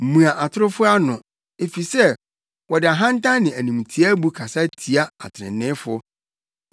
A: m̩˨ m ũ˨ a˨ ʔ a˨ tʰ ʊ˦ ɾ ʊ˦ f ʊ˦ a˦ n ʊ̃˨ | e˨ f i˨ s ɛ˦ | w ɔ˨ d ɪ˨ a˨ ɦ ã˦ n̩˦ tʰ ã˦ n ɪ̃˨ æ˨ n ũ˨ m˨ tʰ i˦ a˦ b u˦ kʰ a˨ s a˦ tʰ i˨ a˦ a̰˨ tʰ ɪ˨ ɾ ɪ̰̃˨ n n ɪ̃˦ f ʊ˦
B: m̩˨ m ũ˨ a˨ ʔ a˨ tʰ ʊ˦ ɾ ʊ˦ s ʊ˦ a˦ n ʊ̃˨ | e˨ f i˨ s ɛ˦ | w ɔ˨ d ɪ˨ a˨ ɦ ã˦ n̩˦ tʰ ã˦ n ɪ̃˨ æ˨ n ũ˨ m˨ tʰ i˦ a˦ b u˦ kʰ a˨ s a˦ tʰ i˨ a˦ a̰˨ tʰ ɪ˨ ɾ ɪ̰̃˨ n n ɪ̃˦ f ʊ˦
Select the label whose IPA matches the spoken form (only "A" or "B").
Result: A